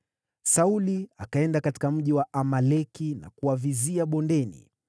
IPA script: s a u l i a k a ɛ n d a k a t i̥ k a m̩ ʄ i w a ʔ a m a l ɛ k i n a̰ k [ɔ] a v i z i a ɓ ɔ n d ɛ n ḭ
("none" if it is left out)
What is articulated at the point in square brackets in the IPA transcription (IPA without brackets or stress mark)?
u